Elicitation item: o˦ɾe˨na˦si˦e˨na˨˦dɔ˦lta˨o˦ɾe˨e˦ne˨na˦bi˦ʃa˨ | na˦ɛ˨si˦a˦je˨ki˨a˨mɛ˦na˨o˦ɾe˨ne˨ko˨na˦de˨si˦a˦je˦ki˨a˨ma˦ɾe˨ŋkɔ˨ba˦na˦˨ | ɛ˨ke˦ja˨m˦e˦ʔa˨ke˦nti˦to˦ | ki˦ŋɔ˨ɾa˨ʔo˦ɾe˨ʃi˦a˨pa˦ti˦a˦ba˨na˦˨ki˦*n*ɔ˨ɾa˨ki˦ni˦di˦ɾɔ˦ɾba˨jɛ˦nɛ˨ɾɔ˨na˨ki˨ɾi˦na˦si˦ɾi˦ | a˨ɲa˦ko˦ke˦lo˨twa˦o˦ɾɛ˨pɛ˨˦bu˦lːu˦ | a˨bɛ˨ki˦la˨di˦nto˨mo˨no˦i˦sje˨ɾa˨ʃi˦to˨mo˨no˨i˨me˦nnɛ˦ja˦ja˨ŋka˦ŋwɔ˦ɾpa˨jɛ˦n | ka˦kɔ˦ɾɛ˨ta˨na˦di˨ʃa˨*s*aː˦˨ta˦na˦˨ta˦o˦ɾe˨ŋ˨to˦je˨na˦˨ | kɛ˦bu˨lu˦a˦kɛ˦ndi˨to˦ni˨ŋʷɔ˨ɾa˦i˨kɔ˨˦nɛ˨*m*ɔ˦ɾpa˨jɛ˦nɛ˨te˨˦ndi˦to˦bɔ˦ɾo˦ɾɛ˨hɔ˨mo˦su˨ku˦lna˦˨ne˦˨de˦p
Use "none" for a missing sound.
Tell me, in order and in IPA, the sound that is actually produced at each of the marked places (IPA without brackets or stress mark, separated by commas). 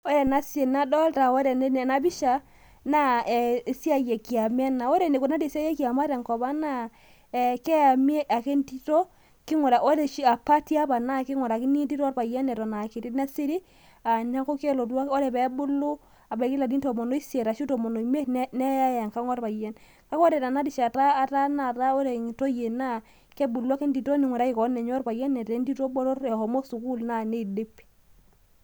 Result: ŋ, t, ɲ